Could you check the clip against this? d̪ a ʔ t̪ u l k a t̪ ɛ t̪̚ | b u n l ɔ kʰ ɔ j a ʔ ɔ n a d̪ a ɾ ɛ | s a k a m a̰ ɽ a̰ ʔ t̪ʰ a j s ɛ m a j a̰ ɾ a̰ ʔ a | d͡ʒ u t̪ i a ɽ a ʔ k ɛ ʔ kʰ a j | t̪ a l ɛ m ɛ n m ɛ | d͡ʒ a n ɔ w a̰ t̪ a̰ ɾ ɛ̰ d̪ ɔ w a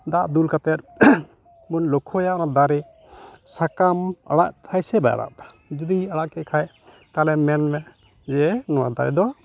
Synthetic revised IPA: d̪ a ʔ d̪ u l k a t̪ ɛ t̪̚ | b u n l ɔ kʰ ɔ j a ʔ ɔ n a d̪ a ɾ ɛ | s a k a m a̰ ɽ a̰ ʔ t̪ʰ a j s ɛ b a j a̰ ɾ a̰ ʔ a | d͡ʒ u d̪ i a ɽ a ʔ k ɛ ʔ kʰ a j | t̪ a l ɛ m ɛ n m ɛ | d͡ʒ ɛ n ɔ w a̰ d̪ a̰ ɾ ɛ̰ d̪ ɔ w a